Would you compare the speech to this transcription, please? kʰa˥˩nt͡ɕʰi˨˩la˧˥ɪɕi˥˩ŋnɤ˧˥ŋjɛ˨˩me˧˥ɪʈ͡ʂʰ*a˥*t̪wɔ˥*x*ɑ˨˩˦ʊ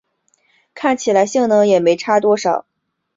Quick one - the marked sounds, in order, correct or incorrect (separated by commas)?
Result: correct, incorrect